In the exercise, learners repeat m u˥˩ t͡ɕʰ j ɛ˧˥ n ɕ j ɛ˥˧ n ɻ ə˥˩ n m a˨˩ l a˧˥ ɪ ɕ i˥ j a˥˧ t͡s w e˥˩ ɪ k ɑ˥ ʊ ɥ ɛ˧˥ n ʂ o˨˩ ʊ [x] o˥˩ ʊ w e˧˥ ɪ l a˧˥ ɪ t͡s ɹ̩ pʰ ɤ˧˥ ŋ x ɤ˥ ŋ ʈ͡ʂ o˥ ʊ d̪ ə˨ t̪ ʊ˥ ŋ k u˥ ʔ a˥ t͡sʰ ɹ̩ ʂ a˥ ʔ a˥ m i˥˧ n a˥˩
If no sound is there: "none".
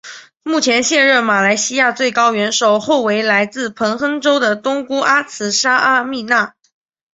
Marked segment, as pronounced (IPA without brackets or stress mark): x